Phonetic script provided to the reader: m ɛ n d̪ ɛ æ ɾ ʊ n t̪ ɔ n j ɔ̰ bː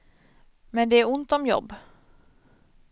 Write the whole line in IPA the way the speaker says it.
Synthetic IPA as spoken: m ɛ n d̪ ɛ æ ɾ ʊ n t̪ ɔ m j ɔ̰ bː